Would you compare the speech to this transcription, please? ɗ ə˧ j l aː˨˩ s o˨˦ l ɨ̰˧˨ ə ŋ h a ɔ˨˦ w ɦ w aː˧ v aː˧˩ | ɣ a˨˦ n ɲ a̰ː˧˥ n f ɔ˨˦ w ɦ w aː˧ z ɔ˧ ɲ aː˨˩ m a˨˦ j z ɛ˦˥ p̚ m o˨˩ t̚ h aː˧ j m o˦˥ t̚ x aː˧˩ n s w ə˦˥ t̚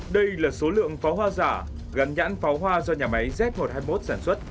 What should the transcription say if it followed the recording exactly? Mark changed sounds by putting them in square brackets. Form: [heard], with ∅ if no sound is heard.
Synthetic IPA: ɗ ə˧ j l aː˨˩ s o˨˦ l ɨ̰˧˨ ə ŋ [f] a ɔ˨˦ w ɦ w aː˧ [z] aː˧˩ | ɣ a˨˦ n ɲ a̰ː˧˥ n f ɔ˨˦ w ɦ w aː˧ z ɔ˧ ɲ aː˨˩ m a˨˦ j z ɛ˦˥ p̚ m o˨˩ t̚ h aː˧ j m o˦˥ t̚ [s] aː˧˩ n s w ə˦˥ t̚